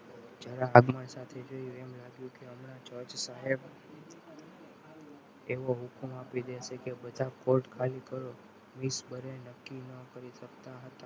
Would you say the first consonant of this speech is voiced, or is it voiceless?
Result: voiced